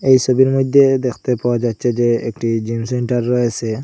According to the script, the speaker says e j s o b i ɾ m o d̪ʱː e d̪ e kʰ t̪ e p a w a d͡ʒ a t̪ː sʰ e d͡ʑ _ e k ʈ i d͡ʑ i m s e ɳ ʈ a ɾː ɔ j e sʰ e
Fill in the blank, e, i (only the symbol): e